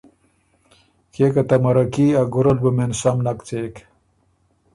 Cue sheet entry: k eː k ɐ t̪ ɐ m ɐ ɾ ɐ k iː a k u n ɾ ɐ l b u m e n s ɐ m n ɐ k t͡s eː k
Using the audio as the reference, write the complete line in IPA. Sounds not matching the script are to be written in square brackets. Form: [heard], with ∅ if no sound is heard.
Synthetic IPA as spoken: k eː k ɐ t̪ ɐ m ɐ ɾ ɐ k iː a [ɡ] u [∅] ɾ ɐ l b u m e n s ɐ m n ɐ k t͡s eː k

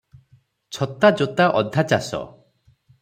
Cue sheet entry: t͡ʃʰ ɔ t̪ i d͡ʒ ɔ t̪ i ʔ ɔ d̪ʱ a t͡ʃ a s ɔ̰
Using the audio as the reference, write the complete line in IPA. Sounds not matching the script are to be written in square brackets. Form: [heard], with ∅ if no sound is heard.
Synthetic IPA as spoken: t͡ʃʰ ɔ t̪ [a] d͡ʒ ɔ t̪ [a] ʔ ɔ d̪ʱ a t͡ʃ a s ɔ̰

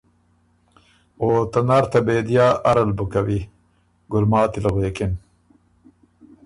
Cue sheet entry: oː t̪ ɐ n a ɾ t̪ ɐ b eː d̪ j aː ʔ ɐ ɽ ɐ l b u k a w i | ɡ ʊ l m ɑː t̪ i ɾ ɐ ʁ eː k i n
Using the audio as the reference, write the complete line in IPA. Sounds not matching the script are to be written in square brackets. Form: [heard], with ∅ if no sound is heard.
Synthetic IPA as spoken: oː t̪ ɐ n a ɾ t̪ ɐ b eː d̪ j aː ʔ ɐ [ɾ] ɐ l b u k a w i | ɡ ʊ l m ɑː t̪ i [l] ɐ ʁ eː k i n

